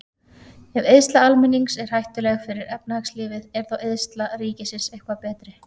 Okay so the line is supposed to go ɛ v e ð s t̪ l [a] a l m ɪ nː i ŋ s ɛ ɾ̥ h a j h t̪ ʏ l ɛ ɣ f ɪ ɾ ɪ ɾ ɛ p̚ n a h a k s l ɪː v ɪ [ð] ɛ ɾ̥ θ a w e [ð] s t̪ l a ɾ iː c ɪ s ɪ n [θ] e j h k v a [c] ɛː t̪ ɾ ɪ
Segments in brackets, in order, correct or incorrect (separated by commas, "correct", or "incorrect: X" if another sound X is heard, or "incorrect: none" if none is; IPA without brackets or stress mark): correct, correct, correct, incorrect: s, incorrect: p